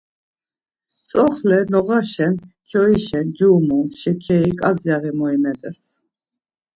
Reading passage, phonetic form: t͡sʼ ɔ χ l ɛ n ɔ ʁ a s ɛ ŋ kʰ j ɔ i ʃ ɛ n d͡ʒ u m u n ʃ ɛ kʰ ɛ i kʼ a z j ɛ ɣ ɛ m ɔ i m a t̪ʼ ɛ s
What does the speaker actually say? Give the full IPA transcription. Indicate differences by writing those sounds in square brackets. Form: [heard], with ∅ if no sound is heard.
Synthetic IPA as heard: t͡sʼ ɔ χ l ɛ n ɔ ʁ a [ʃ] ɛ [n] kʰ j ɔ i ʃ ɛ n d͡ʒ u m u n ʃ ɛ kʰ ɛ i kʼ a z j [a] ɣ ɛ m ɔ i m [ɛ] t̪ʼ ɛ s